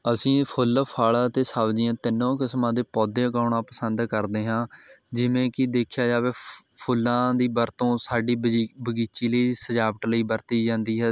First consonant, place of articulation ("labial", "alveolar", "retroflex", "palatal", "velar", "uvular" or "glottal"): alveolar